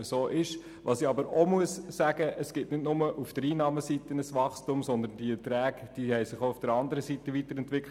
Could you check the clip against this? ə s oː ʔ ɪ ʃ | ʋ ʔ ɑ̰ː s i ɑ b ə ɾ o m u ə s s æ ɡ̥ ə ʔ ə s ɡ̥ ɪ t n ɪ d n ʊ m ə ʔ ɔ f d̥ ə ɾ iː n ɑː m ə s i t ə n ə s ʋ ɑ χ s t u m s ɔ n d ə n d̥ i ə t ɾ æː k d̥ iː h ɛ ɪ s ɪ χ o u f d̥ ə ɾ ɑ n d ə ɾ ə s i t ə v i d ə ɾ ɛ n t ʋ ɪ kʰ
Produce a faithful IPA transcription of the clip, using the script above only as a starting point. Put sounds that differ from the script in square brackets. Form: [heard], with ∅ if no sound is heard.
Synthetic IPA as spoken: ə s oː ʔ ɪ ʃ | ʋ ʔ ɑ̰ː s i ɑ b ə ɾ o m u ə s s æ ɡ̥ ə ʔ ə s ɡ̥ ɪ t n ɪ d n ʊ m ə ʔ [u] f d̥ ə ɾ iː n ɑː m ə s i t ə n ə s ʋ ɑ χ s t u m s ɔ n d ə n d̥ i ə t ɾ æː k d̥ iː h ɛ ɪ s ɪ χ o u f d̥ ə ɾ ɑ n d ə ɾ ə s i t ə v i [t] ə ɾ ɛ n t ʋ ɪ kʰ